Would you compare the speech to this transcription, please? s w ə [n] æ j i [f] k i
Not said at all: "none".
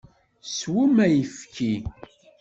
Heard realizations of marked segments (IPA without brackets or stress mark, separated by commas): m, f